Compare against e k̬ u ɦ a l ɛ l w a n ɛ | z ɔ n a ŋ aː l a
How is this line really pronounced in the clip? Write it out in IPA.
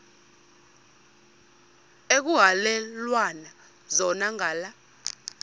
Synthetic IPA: e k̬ u ɦ a l ɛ l w a n a | z ɔ n a ŋ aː l a